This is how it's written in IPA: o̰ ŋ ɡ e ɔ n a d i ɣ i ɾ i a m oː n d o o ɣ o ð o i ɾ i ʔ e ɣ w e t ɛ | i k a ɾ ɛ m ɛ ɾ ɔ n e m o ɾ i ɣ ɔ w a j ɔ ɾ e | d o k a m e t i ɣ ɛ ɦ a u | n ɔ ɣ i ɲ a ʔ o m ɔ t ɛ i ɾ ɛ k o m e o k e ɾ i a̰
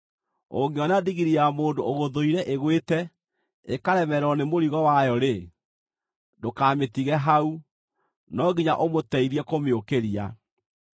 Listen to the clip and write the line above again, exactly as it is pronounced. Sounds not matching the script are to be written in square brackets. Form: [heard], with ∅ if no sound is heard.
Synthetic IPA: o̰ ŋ ɡ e ɔ n a d i ɣ i ɾ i a m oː n d o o ɣ o ð o i ɾ [ɛ] ʔ e ɣ w e t ɛ | [e] k a ɾ ɛ m ɛ ɾ ɔ n e m o ɾ i ɣ ɔ w a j ɔ ɾ e | d o k a m e t i ɣ ɛ ɦ a u | n ɔ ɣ i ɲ a ʔ o m [o] t ɛ i ɾ ɛ k o m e o k e ɾ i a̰